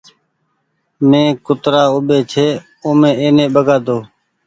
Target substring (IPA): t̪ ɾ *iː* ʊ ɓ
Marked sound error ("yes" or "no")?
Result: yes